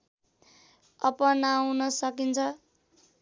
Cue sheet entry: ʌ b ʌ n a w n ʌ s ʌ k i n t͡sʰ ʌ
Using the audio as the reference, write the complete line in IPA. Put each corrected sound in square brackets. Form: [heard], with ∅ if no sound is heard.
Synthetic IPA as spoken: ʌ [p] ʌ n a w n ʌ s ʌ k i n t͡sʰ ʌ